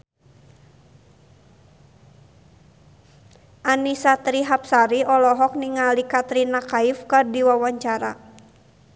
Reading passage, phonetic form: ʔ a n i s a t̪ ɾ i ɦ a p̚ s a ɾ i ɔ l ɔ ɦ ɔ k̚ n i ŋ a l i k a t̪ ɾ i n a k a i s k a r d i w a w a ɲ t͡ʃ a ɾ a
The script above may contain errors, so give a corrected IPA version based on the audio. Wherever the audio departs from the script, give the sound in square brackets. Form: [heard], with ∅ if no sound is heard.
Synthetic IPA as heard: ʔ a n i s a t̪ ɾ i ɦ a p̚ s a ɾ i ɔ l ɔ ɦ ɔ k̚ n i ŋ a l i k a t̪ ɾ i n a k a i [f] k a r d i w a w a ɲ t͡ʃ a ɾ a